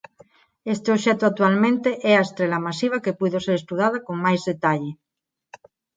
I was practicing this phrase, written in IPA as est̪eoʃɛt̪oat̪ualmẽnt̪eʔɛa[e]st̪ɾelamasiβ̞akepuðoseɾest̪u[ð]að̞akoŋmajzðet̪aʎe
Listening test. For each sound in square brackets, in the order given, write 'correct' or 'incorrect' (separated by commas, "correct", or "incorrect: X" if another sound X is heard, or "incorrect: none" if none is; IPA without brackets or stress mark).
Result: correct, correct